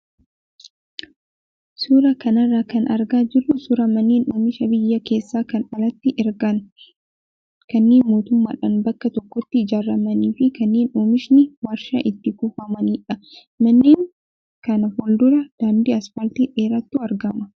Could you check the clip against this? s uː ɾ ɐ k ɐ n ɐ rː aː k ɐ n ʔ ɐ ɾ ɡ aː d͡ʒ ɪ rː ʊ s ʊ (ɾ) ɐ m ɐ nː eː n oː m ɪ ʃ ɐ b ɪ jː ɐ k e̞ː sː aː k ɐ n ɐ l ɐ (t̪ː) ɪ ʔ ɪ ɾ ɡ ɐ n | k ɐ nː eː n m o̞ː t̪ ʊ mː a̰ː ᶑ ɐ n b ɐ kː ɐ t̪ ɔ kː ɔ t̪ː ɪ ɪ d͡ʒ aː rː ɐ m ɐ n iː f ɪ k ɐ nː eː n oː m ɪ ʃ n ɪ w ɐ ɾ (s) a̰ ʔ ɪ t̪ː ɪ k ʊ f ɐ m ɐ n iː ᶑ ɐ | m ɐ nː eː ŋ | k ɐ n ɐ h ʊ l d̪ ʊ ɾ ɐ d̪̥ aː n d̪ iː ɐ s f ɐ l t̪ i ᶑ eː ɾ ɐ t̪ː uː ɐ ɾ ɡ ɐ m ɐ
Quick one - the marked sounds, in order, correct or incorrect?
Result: correct, correct, incorrect

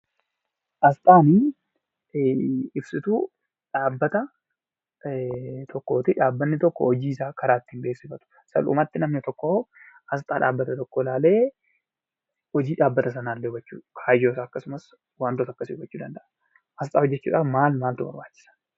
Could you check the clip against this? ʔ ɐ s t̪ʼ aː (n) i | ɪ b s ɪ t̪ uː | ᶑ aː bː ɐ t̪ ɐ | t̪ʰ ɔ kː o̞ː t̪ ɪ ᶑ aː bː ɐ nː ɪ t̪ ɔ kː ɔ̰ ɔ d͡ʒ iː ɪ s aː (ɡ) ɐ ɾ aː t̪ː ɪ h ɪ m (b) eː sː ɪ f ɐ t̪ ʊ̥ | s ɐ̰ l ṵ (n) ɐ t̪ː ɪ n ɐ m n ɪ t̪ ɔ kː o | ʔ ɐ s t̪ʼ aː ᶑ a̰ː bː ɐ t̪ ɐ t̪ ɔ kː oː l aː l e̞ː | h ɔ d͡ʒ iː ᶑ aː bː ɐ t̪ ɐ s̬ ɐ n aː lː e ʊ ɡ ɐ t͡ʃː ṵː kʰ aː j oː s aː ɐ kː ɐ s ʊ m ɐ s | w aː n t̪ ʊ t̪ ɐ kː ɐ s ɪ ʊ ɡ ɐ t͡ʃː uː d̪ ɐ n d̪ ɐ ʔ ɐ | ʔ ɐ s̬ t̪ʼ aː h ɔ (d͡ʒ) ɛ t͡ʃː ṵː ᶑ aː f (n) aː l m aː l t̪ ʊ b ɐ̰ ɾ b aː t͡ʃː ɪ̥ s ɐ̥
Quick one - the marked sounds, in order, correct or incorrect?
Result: correct, incorrect, correct, incorrect, incorrect, incorrect

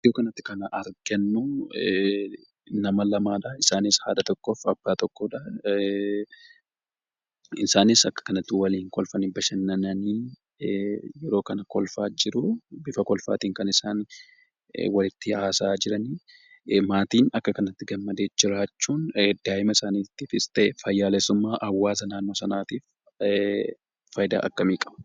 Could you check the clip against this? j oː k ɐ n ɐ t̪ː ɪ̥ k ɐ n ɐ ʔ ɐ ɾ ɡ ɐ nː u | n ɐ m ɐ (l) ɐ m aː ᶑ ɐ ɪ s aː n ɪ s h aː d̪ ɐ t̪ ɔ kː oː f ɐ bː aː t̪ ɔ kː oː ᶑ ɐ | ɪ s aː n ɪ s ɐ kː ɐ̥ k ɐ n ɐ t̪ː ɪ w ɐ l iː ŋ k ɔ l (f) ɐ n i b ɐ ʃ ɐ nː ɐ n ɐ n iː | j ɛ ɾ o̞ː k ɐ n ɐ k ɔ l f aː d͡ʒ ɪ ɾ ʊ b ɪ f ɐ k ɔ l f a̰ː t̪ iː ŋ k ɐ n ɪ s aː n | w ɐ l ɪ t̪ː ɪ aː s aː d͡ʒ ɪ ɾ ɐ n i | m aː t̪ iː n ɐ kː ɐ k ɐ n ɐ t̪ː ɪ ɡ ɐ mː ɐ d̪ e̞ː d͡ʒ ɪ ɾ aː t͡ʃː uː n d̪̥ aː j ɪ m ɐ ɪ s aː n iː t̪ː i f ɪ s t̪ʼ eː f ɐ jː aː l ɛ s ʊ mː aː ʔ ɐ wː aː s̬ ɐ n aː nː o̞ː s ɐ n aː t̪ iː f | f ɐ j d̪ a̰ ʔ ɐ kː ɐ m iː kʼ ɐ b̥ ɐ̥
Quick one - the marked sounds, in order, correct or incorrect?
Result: correct, correct

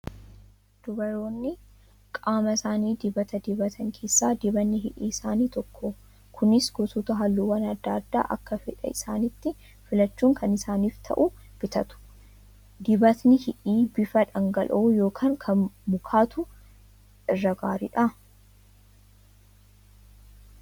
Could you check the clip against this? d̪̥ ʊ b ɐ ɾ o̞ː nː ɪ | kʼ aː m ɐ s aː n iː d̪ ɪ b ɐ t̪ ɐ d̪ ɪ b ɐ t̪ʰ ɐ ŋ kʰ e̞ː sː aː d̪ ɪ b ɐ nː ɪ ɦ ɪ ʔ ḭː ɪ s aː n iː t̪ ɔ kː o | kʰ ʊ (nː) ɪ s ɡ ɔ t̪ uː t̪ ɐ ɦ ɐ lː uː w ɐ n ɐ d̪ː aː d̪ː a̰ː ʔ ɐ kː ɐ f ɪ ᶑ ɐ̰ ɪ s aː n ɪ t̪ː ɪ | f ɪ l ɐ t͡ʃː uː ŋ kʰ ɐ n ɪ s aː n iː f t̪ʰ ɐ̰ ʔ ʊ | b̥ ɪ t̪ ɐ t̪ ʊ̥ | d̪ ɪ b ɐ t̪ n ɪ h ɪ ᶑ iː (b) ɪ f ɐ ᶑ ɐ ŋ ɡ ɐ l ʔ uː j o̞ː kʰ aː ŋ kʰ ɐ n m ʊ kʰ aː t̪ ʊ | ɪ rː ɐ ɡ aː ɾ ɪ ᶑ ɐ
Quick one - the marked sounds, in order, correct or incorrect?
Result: incorrect, correct

